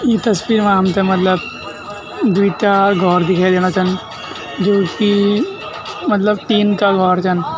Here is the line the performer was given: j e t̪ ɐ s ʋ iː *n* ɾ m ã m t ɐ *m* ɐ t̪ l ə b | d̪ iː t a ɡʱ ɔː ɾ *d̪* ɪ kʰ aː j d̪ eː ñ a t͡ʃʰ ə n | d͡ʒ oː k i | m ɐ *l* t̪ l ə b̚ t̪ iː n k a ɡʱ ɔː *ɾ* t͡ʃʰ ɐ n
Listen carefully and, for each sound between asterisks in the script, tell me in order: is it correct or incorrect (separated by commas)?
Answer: incorrect, correct, correct, incorrect, correct